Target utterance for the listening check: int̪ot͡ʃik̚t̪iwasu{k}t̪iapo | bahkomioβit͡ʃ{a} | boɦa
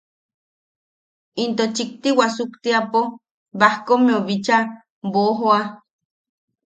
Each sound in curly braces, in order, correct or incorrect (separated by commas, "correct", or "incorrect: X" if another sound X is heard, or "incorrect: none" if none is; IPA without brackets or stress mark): correct, correct